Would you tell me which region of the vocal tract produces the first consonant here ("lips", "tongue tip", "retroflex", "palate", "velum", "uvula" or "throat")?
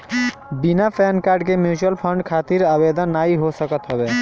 lips